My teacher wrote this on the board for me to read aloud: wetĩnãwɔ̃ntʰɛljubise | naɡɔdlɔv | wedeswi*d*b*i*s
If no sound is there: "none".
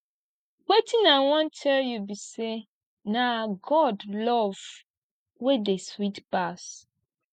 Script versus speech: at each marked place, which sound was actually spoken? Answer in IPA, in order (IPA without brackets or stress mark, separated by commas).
t, a